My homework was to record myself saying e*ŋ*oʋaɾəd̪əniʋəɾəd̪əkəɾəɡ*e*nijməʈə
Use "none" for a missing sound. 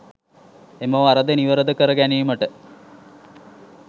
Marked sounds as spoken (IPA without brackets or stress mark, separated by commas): m, æ